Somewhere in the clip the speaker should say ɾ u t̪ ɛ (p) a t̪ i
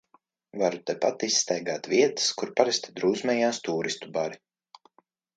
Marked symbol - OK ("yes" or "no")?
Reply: yes